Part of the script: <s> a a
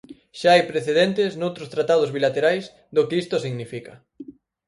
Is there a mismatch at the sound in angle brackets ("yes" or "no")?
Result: yes